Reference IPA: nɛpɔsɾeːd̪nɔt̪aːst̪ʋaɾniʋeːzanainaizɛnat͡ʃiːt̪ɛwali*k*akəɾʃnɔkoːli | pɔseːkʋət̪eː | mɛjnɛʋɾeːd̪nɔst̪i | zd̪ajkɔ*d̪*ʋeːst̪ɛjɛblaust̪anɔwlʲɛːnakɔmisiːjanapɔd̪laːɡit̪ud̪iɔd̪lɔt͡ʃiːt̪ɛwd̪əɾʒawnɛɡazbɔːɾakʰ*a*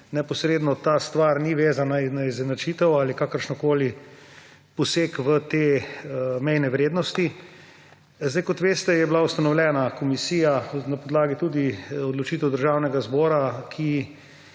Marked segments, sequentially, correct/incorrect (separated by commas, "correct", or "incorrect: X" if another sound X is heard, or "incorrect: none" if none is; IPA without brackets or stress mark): correct, incorrect: t̪, incorrect: i